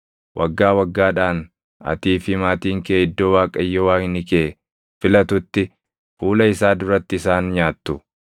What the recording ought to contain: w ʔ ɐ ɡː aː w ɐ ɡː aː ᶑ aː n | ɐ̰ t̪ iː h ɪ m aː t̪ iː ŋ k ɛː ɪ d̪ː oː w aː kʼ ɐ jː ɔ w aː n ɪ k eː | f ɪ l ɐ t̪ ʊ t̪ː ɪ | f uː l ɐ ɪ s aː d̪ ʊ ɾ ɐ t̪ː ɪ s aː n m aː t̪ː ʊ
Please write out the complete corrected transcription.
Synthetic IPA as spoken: w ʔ ɐ ɡː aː w ɐ ɡː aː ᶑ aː n | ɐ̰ t̪ iː f ɪ m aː t̪ iː ŋ k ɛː ɪ d̪ː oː w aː kʼ ɐ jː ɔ w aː n ɪ k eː | f ɪ l ɐ t̪ ʊ t̪ː ɪ | f uː l ɐ ɪ s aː d̪ ʊ ɾ ɐ t̪ː ɪ s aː n ɲ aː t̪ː ʊ